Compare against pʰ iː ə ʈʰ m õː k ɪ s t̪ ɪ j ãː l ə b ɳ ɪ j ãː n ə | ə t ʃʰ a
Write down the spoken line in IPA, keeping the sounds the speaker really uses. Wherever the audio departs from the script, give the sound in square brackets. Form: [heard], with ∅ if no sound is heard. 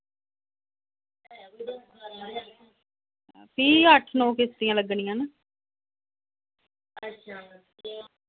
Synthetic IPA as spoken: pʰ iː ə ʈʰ [n] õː k ɪ s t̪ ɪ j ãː l ə [ɡ] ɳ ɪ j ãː n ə | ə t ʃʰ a